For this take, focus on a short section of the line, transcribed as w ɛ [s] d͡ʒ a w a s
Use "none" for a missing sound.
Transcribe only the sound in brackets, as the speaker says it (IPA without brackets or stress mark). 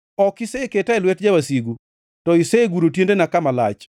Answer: t